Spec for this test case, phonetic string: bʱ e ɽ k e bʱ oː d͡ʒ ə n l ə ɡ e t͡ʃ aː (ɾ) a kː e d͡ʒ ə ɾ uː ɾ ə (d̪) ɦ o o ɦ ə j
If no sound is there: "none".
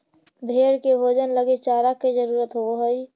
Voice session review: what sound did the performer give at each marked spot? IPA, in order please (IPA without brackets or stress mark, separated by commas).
ɾ, t̪